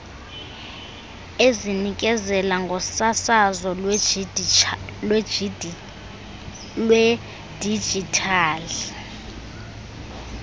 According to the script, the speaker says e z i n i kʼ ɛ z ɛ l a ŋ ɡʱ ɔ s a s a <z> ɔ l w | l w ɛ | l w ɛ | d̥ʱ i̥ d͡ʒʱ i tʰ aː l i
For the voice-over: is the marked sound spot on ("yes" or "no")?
yes